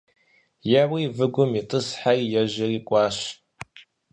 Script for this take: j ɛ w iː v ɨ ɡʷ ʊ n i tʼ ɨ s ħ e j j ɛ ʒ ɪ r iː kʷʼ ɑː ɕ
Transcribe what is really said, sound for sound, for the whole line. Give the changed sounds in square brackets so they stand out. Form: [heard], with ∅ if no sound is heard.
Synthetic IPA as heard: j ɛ w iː v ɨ ɡʷ ʊ [m] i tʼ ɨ s ħ [a] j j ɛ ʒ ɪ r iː kʷʼ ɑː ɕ